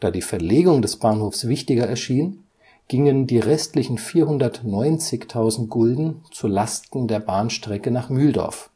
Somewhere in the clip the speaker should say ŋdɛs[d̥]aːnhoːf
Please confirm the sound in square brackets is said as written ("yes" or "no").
no